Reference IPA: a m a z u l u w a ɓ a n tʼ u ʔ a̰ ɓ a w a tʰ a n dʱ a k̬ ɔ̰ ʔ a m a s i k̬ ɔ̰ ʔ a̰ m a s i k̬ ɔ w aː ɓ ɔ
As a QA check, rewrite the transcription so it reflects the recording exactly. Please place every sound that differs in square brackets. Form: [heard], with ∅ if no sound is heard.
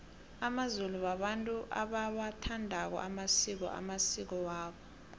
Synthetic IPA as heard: a m a z u l u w a ɓ a n tʼ u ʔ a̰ ɓ a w a tʰ a n dʱ a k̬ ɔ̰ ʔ a m a s i k̬ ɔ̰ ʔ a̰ m a s i k̬ ɔ w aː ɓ ɔ

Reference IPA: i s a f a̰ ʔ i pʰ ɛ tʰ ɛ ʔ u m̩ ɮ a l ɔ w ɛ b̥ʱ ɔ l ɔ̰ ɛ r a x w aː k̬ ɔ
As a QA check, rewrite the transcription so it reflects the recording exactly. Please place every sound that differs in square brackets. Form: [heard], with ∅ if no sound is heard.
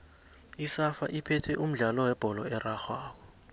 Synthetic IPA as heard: i s a f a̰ ʔ i pʰ ɛ tʰ ɛ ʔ u m̩ ɮ a l ɔ w ɛ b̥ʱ ɔ l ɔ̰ ɛ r a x w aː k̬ ɔ

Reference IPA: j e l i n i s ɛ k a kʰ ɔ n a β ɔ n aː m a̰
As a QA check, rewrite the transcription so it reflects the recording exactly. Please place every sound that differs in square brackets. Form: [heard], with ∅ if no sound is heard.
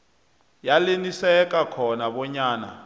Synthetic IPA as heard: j [a] l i n i s ɛ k a kʰ ɔ n a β ɔ [ɲ] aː [n] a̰

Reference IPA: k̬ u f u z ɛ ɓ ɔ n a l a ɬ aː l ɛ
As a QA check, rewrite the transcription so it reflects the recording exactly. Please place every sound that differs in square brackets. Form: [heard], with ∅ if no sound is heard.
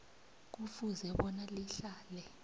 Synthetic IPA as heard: k̬ u f u z ɛ ɓ ɔ n a l [i] ɬ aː l ɛ

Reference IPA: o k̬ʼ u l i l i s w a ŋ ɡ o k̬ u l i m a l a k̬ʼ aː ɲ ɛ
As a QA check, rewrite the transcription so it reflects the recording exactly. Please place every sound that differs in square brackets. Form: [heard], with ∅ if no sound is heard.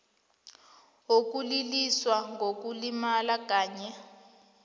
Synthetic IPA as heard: o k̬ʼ u l i l i s w a ŋ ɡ o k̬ u l i m a l a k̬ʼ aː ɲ ɛ

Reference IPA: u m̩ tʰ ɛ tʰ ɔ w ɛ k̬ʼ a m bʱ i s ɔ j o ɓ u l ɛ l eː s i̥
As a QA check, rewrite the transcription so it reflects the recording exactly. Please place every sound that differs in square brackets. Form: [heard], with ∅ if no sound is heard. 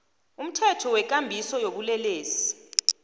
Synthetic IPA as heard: u m̩ tʰ ɛ tʰ ɔ w ɛ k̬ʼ a m bʱ i s ɔ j o ɓ u l ɛ l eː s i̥

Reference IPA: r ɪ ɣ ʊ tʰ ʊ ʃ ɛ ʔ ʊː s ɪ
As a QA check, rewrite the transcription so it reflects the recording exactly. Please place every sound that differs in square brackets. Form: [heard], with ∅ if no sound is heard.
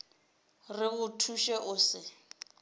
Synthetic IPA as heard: r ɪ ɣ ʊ tʰ [u] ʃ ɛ ʔ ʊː s ɪ

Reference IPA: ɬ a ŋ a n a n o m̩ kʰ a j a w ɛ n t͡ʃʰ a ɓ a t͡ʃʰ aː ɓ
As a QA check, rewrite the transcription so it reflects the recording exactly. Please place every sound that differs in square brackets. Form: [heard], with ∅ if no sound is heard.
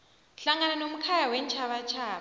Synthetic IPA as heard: ɬ a ŋ a n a n o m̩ kʰ a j a w ɛ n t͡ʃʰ a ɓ a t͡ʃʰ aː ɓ

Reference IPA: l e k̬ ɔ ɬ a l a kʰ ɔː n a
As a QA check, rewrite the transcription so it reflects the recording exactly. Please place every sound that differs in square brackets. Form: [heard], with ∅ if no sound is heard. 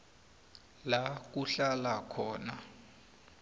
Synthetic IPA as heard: l [a] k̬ [u] ɬ a l a kʰ ɔː n a

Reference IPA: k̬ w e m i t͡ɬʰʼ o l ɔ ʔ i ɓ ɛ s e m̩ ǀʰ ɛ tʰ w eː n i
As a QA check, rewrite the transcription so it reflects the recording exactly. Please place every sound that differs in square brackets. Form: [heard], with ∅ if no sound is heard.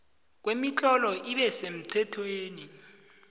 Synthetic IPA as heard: k̬ w e m i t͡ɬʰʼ [ɔ] l ɔ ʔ i ɓ ɛ s e m̩ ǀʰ ɛ tʰ w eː n i

